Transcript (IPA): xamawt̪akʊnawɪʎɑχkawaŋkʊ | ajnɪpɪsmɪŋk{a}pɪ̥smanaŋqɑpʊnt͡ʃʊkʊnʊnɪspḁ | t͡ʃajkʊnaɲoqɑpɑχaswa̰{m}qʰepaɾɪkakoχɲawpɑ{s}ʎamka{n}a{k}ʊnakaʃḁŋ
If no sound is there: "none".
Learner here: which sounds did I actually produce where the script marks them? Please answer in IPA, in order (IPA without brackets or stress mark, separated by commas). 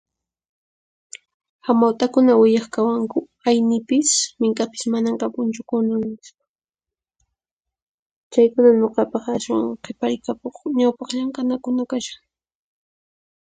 a, ŋ, χ, n, k